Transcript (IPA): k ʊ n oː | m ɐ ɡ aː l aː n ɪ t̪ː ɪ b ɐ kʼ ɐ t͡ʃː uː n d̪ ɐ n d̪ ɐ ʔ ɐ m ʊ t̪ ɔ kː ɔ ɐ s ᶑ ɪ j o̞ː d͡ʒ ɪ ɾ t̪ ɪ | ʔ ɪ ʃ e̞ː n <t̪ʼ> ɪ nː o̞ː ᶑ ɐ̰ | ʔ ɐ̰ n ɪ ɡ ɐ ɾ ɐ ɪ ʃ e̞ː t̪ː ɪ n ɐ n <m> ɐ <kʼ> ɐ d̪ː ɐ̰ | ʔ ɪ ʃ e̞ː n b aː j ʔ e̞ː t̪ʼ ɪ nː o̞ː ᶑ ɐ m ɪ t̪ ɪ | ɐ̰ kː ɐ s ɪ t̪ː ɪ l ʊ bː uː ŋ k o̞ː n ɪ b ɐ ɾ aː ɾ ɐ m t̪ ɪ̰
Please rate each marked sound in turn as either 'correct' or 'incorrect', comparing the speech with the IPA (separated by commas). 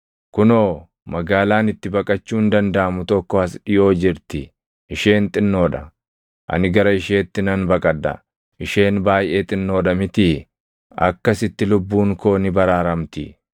correct, incorrect, correct